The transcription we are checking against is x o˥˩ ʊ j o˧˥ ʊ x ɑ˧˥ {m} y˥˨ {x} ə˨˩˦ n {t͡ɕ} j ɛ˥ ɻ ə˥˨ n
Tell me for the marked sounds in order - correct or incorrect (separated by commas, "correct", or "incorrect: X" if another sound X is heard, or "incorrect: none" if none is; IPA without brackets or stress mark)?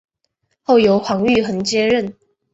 incorrect: ŋ, correct, correct